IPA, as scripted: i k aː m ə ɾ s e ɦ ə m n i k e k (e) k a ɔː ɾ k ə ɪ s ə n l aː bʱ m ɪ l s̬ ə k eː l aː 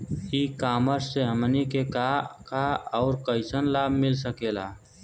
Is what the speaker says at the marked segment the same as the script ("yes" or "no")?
no